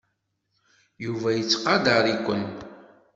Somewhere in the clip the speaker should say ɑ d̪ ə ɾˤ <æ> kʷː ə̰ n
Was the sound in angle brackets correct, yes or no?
no